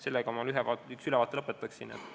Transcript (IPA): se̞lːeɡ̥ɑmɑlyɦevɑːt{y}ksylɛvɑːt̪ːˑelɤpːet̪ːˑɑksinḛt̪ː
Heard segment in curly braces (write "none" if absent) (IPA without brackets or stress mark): y